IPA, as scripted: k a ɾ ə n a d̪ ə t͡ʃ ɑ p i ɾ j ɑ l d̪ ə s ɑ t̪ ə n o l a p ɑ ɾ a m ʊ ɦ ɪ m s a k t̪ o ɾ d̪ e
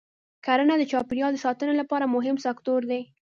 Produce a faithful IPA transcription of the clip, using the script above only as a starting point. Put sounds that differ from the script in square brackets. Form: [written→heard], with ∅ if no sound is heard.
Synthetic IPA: k a ɾ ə n a d̪ ə t͡ʃ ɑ p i ɾ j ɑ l d̪ ə s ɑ t̪ ə n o l a p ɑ ɾ a m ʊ ɦ ɪ m s a k t̪ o ɾ d̪ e